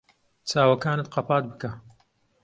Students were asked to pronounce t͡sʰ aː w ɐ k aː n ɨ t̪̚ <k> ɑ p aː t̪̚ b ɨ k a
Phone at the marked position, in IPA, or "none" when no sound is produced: q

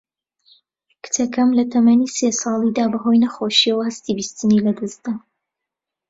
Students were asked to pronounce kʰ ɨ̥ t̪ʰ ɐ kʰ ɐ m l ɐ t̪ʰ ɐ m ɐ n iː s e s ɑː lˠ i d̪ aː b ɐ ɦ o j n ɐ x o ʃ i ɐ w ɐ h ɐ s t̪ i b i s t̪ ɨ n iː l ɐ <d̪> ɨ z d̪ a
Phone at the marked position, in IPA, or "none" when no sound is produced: d̪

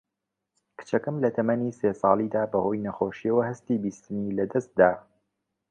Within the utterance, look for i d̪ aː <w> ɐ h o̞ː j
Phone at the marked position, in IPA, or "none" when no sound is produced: b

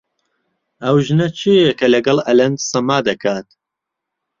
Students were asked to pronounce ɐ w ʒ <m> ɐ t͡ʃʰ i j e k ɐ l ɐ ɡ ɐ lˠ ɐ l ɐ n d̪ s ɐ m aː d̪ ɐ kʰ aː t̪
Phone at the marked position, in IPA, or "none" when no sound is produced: n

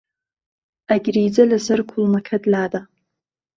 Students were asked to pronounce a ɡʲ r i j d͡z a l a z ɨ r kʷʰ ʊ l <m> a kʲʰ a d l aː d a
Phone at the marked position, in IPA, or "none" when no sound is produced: m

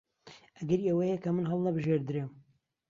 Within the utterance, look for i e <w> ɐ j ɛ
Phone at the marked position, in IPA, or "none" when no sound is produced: w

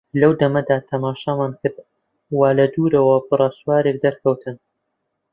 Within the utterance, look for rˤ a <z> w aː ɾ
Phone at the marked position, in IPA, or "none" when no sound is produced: s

